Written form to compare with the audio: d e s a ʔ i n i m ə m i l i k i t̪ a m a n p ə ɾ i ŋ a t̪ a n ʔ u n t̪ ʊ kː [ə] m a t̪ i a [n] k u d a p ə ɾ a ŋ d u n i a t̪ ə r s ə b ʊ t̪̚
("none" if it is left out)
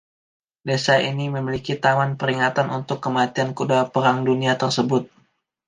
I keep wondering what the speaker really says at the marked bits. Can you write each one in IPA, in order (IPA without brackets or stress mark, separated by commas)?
ə, n